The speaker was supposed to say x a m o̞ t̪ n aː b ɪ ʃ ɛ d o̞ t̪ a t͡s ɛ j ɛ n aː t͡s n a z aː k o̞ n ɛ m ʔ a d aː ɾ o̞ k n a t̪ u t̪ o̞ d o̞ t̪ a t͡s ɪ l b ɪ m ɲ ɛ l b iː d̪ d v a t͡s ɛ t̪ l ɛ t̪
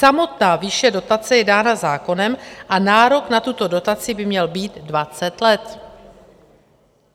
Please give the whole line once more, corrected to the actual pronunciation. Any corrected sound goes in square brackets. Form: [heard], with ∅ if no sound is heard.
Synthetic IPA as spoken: [s] a m o̞ t̪ n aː [v] ɪ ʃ ɛ d o̞ t̪ a t͡s ɛ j ɛ [d] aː [∅] n a z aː k o̞ n ɛ m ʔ a [n] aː ɾ o̞ k n a t̪ u t̪ o̞ d o̞ t̪ a t͡s ɪ [∅] b ɪ m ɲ ɛ l b iː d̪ d v a t͡s ɛ t̪ l ɛ t̪